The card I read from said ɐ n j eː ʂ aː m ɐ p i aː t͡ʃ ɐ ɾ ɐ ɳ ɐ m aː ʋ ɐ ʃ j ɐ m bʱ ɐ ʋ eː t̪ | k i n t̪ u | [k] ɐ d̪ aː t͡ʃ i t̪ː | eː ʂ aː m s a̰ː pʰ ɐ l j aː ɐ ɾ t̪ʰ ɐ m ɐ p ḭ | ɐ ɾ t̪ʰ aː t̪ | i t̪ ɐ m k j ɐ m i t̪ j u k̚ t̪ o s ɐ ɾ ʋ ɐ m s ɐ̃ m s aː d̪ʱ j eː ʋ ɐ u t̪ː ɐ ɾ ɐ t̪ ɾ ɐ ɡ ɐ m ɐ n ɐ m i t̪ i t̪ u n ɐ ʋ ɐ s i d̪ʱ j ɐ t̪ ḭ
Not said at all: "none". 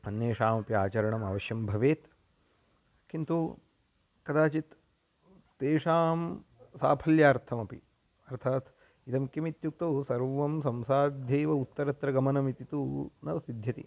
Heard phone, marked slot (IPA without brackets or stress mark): k